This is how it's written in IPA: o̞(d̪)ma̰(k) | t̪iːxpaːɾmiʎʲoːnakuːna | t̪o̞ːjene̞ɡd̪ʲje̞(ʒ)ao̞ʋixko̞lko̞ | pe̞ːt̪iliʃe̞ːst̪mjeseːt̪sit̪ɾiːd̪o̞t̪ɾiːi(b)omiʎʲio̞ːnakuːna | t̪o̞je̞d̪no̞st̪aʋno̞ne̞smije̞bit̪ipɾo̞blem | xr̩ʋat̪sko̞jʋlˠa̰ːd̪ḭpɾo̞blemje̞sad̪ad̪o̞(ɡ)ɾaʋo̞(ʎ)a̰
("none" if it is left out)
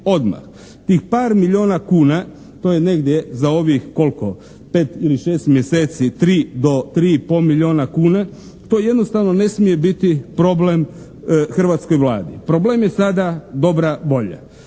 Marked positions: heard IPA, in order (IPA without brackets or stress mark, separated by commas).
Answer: d̪, x, z, p, b, ʎ